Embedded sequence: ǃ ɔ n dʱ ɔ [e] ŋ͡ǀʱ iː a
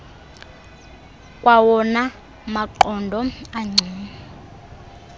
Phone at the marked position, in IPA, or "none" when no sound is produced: a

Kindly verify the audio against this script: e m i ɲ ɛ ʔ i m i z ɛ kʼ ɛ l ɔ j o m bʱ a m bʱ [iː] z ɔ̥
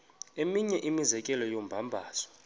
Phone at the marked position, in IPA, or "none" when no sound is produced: aː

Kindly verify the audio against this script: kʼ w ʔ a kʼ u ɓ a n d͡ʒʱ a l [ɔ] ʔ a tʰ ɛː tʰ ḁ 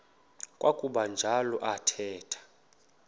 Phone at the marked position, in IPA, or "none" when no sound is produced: ɔ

